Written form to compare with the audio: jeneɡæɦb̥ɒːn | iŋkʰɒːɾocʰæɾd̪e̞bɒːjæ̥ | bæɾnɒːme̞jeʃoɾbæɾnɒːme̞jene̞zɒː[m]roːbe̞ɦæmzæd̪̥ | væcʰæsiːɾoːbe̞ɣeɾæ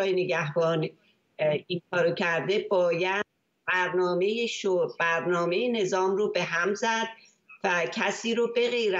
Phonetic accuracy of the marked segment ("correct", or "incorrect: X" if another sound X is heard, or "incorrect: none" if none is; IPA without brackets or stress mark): correct